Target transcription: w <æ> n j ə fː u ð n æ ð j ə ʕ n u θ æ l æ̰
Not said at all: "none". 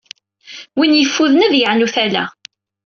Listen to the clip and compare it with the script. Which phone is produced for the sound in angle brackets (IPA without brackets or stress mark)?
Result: i